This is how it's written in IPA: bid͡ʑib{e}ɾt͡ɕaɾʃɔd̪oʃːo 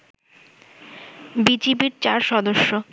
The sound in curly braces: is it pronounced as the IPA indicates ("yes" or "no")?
no